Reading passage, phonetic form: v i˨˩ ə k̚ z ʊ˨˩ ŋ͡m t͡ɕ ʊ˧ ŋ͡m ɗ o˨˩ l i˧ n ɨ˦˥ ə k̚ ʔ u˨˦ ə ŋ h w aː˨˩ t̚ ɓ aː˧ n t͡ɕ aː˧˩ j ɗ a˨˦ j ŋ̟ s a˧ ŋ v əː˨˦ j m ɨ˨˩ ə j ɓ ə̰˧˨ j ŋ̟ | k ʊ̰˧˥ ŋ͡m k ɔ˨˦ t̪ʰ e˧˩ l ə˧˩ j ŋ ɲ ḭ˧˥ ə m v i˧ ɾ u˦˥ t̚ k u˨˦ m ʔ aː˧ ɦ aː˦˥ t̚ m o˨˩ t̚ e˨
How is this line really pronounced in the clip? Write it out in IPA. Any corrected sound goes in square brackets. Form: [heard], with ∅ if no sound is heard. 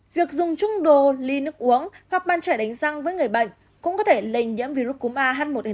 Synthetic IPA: v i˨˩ ə k̚ z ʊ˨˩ ŋ͡m t͡ɕ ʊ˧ ŋ͡m ɗ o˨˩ l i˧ n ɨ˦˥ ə k̚ ʔ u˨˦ ə ŋ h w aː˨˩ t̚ ɓ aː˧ n t͡ɕ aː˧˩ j ɗ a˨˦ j ŋ̟ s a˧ ŋ v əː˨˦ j [ŋ] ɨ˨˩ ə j ɓ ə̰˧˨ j ŋ̟ | k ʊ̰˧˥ ŋ͡m k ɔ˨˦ t̪ʰ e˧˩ l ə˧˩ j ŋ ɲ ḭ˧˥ ə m v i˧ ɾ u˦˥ t̚ k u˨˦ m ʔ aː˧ ɦ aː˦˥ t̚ m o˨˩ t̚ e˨